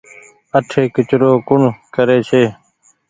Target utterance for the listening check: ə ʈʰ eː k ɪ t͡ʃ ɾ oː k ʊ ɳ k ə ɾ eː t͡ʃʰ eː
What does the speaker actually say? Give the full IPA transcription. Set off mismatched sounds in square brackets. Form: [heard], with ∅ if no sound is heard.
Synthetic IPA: ə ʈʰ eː k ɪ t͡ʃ ɾ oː k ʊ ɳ k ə ɾ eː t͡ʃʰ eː